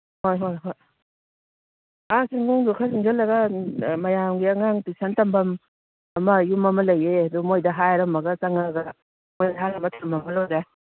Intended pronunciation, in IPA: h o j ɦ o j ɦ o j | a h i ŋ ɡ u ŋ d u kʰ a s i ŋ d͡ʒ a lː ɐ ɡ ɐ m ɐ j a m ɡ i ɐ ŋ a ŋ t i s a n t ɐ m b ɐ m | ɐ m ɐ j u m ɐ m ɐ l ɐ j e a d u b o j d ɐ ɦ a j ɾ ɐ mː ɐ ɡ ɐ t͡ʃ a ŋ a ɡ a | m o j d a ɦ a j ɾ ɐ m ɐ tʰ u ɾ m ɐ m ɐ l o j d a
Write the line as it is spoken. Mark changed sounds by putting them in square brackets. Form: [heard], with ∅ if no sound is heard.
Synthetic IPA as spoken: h o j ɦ o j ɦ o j | a [s] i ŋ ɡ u ŋ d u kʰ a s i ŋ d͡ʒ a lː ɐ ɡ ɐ m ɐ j a m ɡ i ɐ ŋ a ŋ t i s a n t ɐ m b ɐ m | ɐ m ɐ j u m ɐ m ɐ l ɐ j e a d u [m] o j d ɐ ɦ a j ɾ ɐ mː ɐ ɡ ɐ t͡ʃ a ŋ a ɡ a | m o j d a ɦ a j ɾ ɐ m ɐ tʰ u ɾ m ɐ m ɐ l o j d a

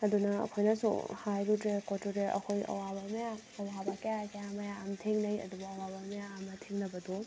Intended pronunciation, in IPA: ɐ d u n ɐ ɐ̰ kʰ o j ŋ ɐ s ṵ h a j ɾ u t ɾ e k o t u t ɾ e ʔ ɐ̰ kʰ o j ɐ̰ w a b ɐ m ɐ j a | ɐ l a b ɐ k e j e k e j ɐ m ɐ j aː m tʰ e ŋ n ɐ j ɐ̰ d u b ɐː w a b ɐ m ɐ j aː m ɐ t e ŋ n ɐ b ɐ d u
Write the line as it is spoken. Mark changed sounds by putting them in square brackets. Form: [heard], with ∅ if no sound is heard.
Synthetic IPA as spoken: ɐ d u n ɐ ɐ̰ kʰ o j [n] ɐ s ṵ h a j ɾ u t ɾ e k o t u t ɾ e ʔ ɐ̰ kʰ o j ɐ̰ w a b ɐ m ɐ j a | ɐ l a b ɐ k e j [a] k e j [a] m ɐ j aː m tʰ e ŋ n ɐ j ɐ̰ d u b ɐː w a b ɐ m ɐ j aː m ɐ [tʰ] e ŋ n ɐ b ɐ d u

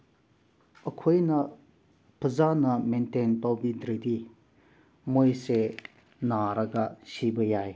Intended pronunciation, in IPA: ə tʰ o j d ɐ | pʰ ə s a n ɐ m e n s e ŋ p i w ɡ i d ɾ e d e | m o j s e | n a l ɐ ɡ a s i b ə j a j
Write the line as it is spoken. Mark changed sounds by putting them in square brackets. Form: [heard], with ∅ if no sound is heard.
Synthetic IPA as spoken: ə [kʰ] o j [n] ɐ | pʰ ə [z] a n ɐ m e n [t] e [n] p [a] w [b] i d ɾ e d [i] | m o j s e | n a [ɾ] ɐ ɡ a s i b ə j a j

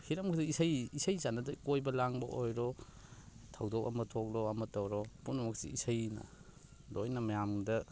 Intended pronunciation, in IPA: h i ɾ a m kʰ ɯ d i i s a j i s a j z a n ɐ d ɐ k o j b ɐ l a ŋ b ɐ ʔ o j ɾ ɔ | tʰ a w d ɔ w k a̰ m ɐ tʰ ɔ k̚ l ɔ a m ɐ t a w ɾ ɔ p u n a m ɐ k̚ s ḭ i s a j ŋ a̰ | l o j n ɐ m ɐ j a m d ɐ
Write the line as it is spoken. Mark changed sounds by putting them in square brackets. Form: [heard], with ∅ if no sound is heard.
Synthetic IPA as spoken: h i ɾ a m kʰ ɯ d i i s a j i s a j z a n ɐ d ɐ k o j b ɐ l a ŋ b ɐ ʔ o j ɾ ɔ | tʰ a w d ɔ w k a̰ m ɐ tʰ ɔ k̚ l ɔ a m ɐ t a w ɾ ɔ p u n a m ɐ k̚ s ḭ i s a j [n] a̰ | l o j n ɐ m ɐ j a m d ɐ

